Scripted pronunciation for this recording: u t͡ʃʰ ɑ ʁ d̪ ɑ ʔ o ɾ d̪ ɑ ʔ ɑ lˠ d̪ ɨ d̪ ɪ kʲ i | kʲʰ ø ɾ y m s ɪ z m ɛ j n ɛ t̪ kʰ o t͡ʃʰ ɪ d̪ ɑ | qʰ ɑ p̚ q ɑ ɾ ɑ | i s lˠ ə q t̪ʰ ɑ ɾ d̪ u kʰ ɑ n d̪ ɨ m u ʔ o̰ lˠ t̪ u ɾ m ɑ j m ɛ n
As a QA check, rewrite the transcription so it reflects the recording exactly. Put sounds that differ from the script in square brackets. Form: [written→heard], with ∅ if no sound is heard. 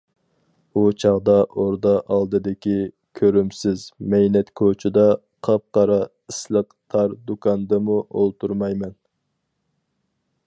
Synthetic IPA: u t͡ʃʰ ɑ ʁ d̪ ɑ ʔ o ɾ d̪ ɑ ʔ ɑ lˠ d̪ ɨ d̪ ɪ kʲ i | kʲʰ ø ɾ y m s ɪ z m ɛ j n ɛ t̪ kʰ o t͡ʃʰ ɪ d̪ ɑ | qʰ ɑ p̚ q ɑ ɾ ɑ | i s lˠ ə q t̪ʰ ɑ ɾ d̪ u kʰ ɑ n d̪ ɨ m u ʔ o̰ lˠ t̪ u ɾ m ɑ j m ɛ n